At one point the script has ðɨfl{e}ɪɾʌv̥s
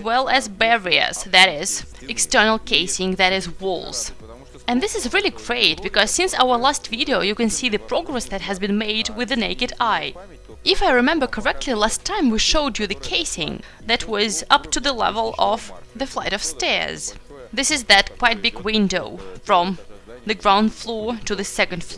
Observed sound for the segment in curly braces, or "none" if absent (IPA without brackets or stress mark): a